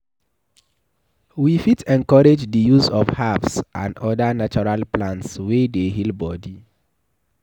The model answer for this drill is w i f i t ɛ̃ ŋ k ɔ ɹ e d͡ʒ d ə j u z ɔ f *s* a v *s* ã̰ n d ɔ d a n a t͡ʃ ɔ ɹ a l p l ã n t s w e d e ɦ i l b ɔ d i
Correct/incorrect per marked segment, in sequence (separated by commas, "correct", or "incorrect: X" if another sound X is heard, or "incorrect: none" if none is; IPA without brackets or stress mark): incorrect: h, correct